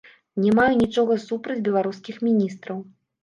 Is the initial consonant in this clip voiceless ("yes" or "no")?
no